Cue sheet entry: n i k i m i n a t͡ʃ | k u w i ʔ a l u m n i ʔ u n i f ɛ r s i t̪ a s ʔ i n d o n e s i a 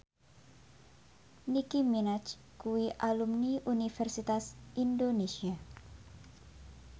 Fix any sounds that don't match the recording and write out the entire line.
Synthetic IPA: n i k i m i n a t͡ʃ | k u w i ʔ a l u m n i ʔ u n i f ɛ r s i t̪ a s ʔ i n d o n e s i a